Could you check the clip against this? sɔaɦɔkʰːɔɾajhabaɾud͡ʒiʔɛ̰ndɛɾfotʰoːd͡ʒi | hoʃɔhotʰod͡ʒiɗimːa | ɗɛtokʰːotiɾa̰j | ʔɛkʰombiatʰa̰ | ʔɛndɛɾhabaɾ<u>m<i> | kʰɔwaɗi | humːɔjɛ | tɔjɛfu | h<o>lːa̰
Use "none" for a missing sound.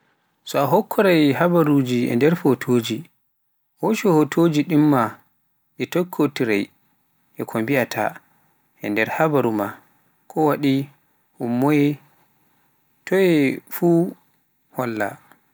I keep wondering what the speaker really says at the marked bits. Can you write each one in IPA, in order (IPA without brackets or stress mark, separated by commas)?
u, a, ɔ